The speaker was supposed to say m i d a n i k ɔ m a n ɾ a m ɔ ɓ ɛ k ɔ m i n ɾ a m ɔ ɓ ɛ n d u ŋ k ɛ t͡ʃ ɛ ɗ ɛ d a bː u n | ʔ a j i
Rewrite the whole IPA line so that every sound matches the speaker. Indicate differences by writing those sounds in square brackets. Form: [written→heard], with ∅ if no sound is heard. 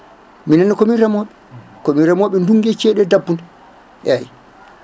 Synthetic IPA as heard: m i [d→n] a n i k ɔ m [a→i] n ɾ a m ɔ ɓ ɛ k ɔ m i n ɾ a m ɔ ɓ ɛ n d u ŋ [k→ɡ] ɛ t͡ʃ ɛ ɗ ɛ d a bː u n | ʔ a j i